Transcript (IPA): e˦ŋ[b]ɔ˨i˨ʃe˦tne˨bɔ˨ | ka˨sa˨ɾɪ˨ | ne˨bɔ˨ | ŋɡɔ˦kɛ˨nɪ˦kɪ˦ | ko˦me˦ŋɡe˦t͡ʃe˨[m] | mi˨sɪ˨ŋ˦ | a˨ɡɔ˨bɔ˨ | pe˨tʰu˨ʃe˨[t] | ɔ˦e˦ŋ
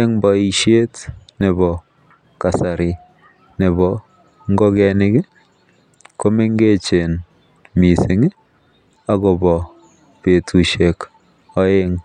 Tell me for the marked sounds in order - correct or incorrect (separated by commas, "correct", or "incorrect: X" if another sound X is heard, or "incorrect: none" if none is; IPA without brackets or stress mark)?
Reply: correct, incorrect: n, incorrect: k